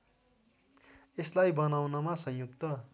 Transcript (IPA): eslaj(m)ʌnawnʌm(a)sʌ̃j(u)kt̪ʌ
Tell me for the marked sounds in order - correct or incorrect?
incorrect: b, correct, correct

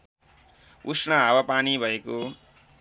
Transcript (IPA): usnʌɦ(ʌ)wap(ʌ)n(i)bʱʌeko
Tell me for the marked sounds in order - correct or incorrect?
incorrect: a, incorrect: a, correct

